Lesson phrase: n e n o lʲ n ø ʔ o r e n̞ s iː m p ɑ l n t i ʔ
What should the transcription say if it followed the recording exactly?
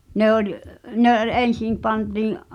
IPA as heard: n e o lʲ n e ʔ o l e n̞ s i m p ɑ n t iː ʔ